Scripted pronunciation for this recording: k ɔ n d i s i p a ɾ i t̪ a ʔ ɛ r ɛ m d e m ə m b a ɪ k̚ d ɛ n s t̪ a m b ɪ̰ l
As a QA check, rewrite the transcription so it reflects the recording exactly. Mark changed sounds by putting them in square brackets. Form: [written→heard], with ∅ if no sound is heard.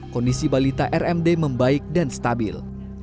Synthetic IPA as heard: k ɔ n d i s i [p→b] a [ɾ→l] i t̪ a ʔ ɛ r ɛ m d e m ə m b a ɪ k̚ d [ɛ→a] n s t̪ a [m→∅] b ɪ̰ l

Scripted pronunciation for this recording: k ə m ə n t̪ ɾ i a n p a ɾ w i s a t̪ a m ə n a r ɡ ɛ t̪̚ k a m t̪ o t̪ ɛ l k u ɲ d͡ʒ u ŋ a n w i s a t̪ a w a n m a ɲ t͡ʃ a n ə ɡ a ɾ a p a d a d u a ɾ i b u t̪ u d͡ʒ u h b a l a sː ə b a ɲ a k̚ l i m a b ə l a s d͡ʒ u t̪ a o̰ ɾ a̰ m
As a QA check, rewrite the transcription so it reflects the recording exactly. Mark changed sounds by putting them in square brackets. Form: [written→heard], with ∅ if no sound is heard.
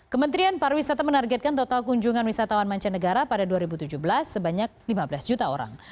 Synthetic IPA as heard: k ə m ə n t̪ ɾ i a n p a ɾ w i s a t̪ a m ə n a r ɡ ɛ t̪̚ k a [m→n] t̪ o t̪ [ɛ→a] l k u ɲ d͡ʒ u ŋ a n w i s a t̪ a w a n m a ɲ t͡ʃ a n ə ɡ a ɾ a p a d a d u a ɾ i b u t̪ u d͡ʒ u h b [a→ə] l a sː ə b a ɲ a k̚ l i m a b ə l a s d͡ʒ u t̪ a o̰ ɾ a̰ [m→ŋ]

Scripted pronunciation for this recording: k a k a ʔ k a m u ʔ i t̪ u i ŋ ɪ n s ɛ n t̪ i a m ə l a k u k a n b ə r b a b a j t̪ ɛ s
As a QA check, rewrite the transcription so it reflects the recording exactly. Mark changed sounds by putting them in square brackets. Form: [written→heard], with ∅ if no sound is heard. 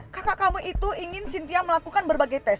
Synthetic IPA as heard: k a k a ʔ k a m u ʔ i t̪ u i ŋ ɪ n s [ɛ→i] n t̪ i a m ə l a k u k a n b ə r b a [b→ɡ] a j t̪ ɛ s

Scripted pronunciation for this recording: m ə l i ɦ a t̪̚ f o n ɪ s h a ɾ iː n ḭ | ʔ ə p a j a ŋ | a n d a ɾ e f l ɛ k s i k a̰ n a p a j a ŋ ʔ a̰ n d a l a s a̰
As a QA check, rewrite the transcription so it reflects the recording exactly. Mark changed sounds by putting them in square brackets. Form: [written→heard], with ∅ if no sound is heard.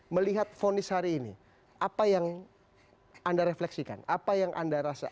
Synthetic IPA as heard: m ə l i ɦ a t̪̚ f o n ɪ s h a ɾ iː n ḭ | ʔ [ə→a] p a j a ŋ | a n d a ɾ e f l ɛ k s i k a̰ n a p a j a ŋ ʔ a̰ n d a [l→ɾ] a s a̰

